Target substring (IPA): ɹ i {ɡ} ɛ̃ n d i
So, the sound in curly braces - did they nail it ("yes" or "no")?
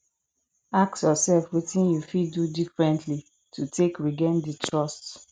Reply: yes